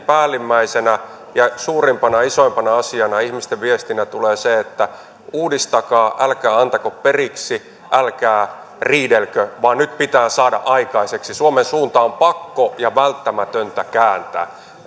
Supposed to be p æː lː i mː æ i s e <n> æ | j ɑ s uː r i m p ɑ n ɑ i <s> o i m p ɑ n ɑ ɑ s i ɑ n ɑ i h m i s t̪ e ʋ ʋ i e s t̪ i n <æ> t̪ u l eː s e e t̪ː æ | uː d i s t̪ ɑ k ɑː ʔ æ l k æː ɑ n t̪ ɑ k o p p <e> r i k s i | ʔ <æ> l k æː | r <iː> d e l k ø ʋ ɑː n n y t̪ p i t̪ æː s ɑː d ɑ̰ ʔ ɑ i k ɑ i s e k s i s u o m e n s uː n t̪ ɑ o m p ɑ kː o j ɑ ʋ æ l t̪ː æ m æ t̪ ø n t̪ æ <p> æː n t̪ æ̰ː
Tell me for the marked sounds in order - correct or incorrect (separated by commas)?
correct, correct, correct, correct, correct, correct, incorrect